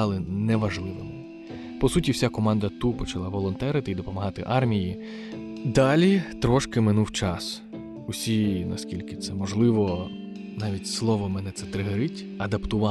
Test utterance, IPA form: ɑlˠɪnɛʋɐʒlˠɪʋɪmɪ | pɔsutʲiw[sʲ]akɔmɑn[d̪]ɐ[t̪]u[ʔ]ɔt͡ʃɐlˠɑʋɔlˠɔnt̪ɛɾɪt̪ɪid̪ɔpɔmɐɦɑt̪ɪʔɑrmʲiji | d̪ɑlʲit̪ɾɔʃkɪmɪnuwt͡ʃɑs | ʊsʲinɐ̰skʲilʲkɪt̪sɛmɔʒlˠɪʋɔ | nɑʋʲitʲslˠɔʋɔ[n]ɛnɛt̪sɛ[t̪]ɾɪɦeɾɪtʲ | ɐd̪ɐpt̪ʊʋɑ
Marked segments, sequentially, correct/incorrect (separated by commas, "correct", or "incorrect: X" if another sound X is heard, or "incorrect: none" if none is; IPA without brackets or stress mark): correct, correct, correct, incorrect: p, incorrect: m, correct